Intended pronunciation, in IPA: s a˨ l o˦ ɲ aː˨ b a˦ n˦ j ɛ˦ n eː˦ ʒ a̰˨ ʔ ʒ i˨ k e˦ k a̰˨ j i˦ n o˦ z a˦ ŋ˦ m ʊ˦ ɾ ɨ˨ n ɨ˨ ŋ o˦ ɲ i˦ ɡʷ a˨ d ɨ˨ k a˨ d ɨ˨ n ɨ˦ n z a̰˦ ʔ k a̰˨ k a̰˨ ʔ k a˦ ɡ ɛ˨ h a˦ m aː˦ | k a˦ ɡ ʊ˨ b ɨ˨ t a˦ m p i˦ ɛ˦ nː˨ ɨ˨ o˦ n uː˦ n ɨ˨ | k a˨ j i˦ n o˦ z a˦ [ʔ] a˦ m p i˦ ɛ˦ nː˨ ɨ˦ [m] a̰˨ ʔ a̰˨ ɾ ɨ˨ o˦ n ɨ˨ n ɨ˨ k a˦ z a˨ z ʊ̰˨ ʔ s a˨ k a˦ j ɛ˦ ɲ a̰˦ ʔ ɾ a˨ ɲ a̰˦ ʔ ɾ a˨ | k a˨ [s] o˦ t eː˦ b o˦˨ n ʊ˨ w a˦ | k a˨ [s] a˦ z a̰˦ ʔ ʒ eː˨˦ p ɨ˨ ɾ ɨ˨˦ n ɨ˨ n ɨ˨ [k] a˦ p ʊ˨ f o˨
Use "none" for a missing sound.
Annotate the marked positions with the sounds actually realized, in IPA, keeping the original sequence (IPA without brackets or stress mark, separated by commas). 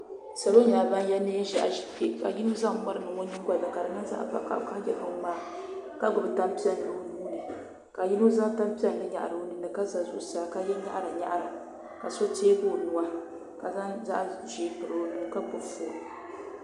t, ɲ, s, z, k